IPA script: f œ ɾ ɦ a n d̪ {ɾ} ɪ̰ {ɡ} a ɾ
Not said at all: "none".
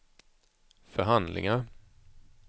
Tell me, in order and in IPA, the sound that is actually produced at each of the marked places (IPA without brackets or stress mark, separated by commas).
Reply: l, ŋ